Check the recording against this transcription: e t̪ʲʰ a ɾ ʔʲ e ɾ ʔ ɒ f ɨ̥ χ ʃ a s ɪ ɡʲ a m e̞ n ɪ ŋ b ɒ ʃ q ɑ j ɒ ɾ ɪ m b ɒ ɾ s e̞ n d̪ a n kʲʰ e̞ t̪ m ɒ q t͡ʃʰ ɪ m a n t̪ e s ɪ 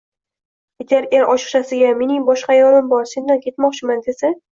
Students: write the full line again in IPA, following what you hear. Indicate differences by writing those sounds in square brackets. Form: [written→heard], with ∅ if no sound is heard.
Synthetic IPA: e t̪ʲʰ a ɾ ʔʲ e ɾ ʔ ɒ [f→ʃ] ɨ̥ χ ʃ a s ɪ ɡʲ a m e̞ n ɪ ŋ b ɒ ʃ q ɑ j ɒ ɾ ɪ m b ɒ ɾ s e̞ n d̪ a n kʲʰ e̞ t̪ m ɒ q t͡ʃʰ ɪ m a n [t̪→d̪] e s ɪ